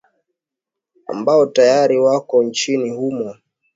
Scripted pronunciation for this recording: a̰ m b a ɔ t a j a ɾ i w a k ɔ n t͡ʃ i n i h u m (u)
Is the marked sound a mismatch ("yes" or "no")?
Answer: yes